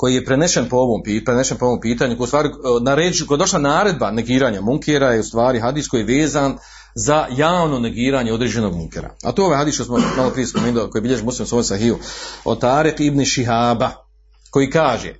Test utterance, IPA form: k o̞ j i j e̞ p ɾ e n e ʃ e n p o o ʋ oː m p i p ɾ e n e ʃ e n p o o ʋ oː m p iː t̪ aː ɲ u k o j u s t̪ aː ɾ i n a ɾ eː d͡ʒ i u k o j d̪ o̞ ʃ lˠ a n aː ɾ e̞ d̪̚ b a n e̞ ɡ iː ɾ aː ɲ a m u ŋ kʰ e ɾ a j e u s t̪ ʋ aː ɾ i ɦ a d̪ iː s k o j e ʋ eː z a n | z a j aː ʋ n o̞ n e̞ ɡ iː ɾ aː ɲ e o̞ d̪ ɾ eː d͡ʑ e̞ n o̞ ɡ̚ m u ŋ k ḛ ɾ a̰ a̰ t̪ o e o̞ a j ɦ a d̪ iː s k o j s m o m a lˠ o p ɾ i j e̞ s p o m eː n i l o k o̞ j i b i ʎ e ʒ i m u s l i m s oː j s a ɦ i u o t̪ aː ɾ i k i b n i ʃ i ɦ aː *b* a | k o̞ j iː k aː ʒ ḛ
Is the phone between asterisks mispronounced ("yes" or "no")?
no